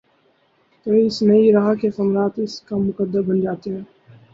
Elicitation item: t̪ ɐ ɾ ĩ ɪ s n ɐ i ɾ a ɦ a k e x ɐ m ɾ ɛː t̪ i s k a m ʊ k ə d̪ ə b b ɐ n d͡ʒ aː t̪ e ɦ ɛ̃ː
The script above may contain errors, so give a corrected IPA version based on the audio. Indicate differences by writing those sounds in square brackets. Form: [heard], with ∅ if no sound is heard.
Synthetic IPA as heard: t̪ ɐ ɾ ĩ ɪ s n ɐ i ɾ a ɦ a k e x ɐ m ɾ [aː] t̪ [ɪ] s k a m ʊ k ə d̪ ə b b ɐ n d͡ʒ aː t̪ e ɦ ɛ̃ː